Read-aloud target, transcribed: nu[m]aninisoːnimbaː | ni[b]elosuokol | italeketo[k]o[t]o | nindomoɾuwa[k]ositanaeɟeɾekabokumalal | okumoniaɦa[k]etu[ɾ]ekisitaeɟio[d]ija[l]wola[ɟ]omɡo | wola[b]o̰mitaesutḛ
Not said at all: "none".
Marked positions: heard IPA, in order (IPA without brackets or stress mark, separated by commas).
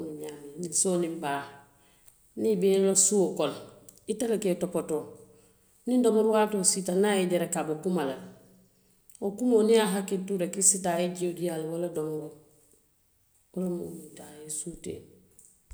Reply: ɲ, b, p, t, t, k, ɾ, d, l, d, m